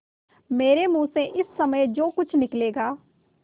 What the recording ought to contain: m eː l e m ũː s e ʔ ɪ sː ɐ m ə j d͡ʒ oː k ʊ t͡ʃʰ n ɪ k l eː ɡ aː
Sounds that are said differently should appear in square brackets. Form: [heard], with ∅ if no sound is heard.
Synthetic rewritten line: m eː [ɾ] e m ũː s e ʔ ɪ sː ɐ m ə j d͡ʒ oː k ʊ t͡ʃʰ n ɪ k l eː ɡ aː